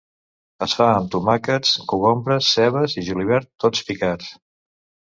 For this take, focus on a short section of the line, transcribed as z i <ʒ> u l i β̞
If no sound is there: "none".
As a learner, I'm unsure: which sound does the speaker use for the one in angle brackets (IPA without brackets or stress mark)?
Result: ʒ